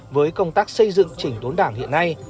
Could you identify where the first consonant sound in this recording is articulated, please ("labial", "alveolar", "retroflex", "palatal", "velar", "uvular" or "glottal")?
labial